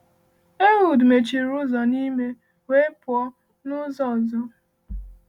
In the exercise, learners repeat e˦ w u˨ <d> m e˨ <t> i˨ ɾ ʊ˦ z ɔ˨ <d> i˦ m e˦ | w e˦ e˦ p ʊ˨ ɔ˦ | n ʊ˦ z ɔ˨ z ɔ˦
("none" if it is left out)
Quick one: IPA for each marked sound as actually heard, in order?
d, t͡ʃ, n

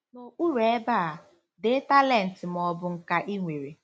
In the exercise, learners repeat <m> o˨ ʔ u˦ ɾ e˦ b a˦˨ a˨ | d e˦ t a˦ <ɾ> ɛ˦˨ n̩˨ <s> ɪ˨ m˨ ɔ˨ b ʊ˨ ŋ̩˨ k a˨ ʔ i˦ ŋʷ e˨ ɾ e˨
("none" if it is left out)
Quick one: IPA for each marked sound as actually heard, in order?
n, l, t

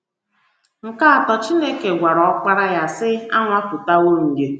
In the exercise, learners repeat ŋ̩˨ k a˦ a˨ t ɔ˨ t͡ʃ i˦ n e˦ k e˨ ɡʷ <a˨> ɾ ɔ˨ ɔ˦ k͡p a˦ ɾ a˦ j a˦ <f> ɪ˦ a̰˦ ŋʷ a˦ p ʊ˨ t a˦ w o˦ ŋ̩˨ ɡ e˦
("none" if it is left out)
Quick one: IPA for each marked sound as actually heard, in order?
a˨, s

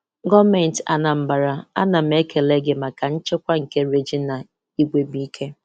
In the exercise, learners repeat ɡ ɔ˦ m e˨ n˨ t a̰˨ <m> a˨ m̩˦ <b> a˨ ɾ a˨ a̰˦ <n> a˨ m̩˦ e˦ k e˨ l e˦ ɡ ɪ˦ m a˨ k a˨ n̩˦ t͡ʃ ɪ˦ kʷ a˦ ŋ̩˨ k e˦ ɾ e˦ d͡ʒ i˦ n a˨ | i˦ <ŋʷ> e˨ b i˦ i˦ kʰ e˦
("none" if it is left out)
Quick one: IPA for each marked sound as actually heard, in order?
n, b, n, ɡʷ

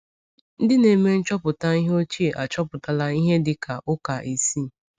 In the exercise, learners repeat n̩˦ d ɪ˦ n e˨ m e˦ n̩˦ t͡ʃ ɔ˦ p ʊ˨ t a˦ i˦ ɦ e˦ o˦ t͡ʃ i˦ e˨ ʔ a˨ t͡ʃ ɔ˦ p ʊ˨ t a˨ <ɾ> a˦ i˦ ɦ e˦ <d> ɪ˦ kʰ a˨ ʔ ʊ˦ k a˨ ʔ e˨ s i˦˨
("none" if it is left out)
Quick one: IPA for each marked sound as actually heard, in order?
l, d

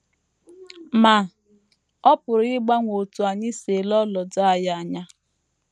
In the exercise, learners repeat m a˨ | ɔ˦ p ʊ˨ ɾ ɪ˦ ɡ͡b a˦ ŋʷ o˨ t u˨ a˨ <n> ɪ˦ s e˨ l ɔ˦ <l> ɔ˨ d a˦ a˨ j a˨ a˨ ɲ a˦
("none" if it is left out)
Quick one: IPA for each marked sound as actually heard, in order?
ɲ, l

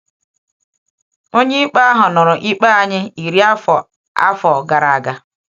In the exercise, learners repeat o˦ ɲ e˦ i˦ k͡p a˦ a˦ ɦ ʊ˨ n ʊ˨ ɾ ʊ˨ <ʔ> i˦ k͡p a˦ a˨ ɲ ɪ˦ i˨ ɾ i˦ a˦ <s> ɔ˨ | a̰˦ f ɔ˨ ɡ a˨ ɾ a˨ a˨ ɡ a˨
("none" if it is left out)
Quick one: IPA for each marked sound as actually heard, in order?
ʔ, f

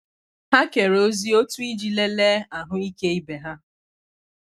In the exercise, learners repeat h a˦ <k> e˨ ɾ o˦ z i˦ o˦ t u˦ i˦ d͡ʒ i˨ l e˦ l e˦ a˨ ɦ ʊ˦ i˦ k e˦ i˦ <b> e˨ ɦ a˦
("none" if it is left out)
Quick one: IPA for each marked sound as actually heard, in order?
k, b

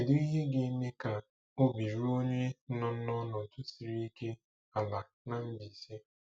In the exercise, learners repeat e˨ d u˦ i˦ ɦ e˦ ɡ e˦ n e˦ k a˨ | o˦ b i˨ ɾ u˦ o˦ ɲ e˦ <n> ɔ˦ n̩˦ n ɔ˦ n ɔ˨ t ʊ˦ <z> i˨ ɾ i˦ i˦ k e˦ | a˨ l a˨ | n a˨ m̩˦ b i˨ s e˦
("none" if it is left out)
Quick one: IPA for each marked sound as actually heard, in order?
n, s

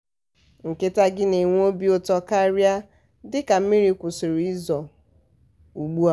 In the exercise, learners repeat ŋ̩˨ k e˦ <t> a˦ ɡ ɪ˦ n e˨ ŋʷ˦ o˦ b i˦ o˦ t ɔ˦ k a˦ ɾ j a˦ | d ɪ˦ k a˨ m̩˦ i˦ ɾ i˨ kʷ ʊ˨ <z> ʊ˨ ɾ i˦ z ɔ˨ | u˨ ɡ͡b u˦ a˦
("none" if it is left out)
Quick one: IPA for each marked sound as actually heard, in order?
t, s

